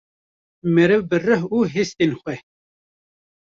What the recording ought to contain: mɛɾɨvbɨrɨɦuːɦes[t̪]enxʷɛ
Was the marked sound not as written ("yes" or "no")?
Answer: no